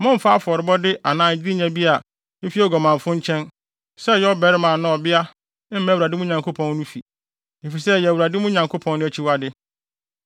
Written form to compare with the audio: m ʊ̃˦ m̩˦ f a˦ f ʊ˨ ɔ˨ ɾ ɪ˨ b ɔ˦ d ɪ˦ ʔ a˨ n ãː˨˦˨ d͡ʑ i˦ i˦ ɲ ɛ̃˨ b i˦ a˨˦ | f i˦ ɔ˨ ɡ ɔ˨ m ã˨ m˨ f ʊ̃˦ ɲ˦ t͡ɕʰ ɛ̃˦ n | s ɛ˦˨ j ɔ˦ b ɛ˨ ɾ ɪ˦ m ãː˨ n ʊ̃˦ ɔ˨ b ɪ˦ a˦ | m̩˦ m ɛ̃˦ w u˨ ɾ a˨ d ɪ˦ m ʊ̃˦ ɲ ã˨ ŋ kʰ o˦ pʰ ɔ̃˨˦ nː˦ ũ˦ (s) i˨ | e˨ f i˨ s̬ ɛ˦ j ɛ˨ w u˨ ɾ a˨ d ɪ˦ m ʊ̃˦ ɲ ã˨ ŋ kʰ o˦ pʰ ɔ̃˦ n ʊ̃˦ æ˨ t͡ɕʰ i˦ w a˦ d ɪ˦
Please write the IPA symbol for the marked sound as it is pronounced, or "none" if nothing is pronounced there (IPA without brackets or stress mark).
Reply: f